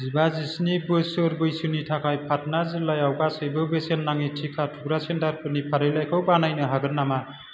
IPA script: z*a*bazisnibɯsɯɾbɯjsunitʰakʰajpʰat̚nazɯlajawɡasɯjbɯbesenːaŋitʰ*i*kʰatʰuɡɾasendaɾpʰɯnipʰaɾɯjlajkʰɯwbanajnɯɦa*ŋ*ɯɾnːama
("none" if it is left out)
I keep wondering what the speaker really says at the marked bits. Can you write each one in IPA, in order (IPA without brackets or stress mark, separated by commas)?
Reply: i, i, ɡ